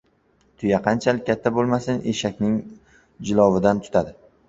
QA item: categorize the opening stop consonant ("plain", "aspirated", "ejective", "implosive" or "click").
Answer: aspirated